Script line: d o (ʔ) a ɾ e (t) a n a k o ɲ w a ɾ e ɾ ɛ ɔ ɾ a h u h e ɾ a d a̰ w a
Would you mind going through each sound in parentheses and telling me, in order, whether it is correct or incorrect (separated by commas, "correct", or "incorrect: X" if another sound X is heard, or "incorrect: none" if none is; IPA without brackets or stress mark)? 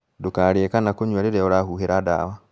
incorrect: k, incorrect: k